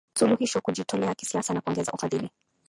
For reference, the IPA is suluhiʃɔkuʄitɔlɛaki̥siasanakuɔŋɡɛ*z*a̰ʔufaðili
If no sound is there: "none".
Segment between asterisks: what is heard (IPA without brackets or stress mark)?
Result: z